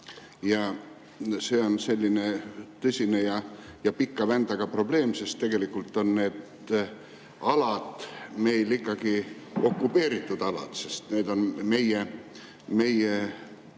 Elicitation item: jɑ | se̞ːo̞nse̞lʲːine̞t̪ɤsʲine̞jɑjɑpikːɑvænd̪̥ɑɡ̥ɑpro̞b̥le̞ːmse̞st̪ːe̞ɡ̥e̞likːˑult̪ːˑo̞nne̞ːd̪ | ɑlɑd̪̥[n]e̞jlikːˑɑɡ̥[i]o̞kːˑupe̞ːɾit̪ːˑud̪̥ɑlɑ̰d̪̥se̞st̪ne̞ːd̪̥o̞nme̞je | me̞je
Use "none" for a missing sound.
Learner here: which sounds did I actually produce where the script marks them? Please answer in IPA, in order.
m, i

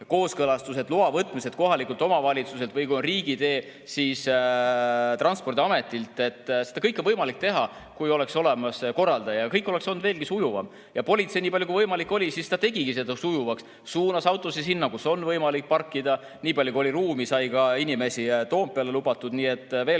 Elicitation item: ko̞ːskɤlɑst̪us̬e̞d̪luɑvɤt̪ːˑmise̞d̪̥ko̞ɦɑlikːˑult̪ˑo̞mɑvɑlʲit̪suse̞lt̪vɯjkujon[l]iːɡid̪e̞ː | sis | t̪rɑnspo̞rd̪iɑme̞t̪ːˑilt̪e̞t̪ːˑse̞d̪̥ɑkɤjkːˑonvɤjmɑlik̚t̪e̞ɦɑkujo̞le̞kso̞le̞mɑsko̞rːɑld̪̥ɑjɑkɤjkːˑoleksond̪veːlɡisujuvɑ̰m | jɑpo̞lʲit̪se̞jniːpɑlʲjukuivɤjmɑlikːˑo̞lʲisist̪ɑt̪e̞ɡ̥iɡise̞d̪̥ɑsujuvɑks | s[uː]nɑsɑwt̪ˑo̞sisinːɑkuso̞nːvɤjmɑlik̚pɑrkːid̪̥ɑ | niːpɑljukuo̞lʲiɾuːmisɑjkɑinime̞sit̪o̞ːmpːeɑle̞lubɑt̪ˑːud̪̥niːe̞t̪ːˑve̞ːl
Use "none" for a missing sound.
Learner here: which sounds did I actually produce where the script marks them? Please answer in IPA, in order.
r, uː

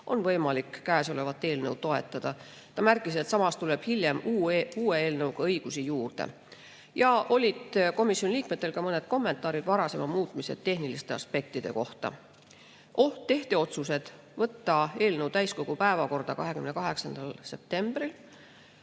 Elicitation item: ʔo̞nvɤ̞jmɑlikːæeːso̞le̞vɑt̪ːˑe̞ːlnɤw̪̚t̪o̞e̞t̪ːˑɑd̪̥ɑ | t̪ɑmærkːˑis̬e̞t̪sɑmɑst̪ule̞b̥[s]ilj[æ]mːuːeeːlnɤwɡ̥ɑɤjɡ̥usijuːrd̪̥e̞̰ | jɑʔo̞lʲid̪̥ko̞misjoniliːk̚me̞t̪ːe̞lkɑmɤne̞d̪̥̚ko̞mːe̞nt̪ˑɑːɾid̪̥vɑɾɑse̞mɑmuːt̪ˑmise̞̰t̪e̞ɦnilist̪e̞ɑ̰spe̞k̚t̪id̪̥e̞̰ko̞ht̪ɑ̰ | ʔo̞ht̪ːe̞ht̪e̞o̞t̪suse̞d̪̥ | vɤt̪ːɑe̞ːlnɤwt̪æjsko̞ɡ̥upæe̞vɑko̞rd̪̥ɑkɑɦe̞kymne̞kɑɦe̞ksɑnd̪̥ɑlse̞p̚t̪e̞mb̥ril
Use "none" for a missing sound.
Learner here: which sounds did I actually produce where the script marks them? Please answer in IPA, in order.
h, e

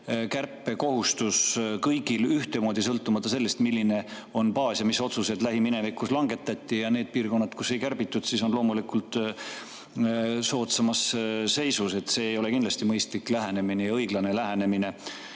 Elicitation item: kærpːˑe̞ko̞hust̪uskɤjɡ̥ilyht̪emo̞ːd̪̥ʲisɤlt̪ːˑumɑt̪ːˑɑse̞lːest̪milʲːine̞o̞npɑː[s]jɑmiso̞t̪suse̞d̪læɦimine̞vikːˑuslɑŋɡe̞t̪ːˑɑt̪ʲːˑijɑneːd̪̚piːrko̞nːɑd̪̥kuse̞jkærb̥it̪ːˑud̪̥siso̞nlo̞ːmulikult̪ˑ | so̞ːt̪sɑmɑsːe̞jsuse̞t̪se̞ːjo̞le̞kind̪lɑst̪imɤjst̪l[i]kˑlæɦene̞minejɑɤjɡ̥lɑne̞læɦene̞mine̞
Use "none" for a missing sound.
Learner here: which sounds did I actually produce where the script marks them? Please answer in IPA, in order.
s, i

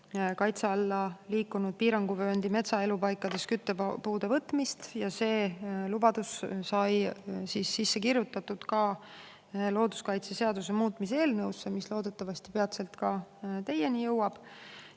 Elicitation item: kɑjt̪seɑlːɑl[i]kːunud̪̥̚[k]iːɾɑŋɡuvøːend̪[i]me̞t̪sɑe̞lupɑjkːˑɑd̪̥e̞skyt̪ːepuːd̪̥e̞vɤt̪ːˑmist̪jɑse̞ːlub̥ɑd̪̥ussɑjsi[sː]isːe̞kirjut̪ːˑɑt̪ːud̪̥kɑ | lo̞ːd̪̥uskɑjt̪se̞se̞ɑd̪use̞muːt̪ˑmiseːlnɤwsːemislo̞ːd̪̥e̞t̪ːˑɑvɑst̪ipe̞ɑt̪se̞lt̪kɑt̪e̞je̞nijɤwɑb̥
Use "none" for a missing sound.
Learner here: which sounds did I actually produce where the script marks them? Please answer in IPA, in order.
iː, p, i, sː

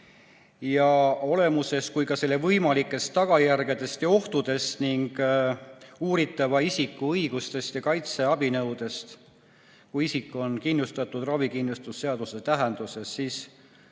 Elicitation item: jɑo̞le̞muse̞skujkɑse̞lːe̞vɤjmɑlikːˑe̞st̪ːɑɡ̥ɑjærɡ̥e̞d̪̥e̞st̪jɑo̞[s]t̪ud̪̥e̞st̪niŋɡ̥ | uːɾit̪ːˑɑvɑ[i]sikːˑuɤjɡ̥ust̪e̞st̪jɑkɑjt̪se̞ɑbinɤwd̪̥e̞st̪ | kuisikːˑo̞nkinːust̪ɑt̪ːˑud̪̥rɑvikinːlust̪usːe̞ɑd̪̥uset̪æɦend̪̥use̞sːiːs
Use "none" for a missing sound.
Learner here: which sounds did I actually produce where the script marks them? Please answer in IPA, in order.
h, i

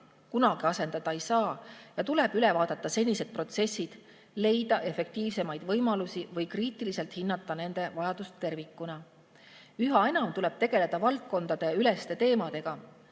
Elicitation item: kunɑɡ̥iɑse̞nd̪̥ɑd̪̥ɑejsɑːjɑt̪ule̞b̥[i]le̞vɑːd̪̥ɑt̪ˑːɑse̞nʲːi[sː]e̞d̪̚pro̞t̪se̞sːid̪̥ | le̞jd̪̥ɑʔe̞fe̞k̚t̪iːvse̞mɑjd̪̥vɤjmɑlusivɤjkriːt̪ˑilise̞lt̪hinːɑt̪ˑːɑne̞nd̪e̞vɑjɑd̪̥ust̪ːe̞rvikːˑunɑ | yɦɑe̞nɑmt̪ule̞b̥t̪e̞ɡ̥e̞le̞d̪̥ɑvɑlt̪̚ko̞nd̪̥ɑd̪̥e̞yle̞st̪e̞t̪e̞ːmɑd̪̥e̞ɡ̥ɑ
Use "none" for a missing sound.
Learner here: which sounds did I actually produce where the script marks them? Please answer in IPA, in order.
y, s

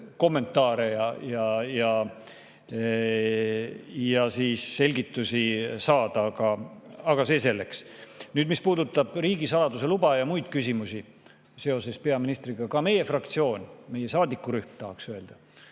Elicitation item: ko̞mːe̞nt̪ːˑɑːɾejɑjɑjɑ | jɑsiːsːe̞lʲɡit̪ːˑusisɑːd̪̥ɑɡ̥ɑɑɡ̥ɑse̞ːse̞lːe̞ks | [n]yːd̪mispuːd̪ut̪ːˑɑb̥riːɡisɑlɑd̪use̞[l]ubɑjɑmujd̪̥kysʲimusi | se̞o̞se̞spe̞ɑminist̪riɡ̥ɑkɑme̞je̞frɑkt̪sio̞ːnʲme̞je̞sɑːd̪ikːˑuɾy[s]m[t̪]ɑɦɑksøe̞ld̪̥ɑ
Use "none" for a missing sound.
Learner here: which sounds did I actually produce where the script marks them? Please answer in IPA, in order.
n, l, h, t̪

